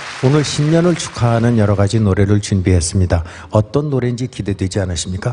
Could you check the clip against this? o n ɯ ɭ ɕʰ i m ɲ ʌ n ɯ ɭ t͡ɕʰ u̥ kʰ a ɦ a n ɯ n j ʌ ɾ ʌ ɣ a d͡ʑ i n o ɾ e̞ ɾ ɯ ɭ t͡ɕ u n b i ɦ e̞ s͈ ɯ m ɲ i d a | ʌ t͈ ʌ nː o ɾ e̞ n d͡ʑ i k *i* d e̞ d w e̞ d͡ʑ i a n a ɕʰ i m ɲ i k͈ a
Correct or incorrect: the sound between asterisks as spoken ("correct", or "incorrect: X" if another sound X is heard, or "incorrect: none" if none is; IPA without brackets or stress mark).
correct